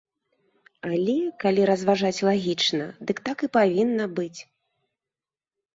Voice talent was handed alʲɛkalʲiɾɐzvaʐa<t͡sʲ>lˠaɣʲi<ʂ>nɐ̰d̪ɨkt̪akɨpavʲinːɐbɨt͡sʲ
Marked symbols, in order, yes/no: yes, no

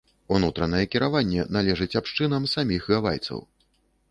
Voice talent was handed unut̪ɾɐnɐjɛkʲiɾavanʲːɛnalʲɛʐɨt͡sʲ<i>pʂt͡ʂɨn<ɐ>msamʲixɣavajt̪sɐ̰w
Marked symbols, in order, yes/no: no, yes

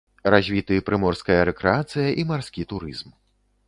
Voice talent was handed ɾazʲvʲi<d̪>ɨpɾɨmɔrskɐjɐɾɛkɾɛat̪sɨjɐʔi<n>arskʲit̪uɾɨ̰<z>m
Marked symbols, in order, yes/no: no, no, yes

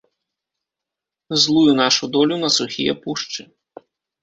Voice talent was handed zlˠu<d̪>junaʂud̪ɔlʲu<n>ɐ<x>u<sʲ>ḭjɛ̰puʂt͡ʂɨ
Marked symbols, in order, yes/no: no, yes, no, no

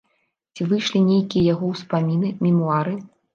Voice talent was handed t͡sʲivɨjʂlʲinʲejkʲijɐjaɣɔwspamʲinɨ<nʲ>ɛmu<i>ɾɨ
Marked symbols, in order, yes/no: no, no

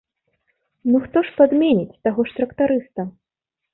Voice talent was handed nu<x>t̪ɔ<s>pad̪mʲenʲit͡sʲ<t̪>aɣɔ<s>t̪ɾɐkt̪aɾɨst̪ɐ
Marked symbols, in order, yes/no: yes, no, yes, no

